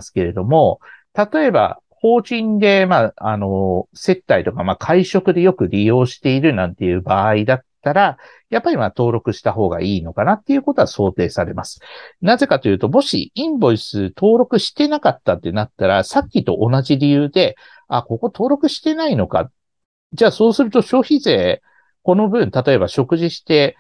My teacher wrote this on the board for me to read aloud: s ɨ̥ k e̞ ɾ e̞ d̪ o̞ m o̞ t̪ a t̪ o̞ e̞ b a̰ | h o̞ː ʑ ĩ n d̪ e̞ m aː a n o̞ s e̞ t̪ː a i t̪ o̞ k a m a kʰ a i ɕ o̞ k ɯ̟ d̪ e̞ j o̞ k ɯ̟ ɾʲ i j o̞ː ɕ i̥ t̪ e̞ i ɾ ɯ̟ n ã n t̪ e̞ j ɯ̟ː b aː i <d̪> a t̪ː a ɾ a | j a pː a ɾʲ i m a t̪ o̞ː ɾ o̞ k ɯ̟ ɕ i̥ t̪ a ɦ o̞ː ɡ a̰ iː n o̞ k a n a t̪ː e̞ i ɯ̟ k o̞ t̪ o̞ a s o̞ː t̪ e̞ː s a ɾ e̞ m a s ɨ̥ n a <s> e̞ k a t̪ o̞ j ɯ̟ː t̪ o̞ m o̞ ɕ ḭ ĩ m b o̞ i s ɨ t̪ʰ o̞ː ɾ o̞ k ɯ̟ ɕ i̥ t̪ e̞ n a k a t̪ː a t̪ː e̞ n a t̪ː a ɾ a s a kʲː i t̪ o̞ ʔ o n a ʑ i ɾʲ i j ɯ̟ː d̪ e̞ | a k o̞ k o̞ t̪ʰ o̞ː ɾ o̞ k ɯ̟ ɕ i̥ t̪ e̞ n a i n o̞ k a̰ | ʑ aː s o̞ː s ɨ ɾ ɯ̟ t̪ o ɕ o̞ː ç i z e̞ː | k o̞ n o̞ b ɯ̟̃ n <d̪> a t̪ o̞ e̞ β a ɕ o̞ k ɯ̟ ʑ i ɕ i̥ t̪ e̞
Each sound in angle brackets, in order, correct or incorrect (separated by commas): correct, incorrect, incorrect